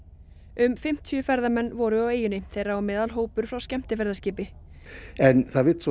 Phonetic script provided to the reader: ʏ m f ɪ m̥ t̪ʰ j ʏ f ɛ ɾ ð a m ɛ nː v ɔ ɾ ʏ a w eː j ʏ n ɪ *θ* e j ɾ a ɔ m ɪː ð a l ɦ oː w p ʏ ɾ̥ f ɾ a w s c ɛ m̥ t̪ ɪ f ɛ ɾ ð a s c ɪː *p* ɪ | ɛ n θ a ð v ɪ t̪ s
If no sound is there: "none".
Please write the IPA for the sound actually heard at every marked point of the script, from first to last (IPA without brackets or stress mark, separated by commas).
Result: θ, p